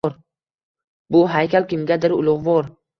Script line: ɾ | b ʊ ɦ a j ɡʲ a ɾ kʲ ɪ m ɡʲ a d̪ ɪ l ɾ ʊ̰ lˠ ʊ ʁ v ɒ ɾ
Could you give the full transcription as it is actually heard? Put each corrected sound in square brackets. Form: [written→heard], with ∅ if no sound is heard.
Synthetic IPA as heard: ɾ | b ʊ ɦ a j [ɡʲ→kʲ] a [ɾ→l] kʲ ɪ m ɡʲ a d̪ ɪ [l→∅] ɾ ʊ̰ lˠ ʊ ʁ v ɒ ɾ

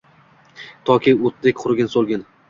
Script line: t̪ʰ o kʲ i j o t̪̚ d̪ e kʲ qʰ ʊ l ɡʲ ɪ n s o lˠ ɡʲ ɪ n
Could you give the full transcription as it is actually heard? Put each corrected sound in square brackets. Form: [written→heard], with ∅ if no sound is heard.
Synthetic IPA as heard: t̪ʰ [o→ɒ] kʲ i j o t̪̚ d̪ e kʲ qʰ ʊ [l→ɾ] ɡʲ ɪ n s o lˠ ɡʲ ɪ n

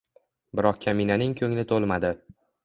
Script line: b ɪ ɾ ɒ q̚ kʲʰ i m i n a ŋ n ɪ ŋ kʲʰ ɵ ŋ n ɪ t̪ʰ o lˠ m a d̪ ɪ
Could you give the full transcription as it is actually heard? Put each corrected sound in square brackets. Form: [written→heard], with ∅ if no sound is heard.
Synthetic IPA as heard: b ɪ ɾ ɒ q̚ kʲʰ [i→a] m i n a [ŋ→∅] n ɪ ŋ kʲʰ ɵ ŋ n ɪ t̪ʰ o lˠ m a d̪ ɪ

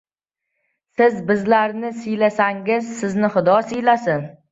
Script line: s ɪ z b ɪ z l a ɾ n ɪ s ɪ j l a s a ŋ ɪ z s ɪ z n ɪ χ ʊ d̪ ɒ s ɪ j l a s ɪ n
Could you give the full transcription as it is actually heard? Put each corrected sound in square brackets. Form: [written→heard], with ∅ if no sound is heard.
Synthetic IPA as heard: s ɪ z b ɪ z l a ɾ n ɪ s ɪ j l a s a ŋ ɪ z s ɪ z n ɪ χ ʊ d̪ ɒ s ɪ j l a s ɪ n

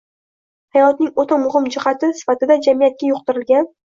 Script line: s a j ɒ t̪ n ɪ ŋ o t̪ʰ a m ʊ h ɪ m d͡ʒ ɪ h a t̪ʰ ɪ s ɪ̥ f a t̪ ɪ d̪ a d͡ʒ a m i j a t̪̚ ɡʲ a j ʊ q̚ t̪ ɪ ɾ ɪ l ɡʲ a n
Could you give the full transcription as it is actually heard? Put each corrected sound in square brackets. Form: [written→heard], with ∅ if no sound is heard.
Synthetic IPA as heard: [s→h] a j ɒ t̪ n ɪ ŋ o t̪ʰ a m ʊ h ɪ m d͡ʒ ɪ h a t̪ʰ ɪ s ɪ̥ f a t̪ ɪ d̪ a d͡ʒ a m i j a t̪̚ [ɡʲ→kʲ] a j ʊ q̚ t̪ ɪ ɾ ɪ l ɡʲ a n

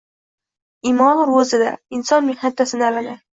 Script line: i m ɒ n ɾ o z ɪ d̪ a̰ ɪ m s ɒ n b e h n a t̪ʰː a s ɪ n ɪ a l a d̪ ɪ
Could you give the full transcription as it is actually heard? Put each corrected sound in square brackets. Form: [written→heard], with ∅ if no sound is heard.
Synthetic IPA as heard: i m ɒ n ɾ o z ɪ d̪ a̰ ɪ [m→n] s ɒ n [b→m] e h n a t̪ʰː a s ɪ n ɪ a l a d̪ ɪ

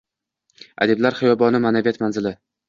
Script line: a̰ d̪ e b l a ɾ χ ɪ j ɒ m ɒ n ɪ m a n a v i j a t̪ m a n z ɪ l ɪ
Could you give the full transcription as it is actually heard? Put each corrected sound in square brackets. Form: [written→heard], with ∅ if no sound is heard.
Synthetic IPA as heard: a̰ d̪ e b l a ɾ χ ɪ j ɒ [m→b] ɒ n ɪ m a n a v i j a t̪ m a n z ɪ l ɪ

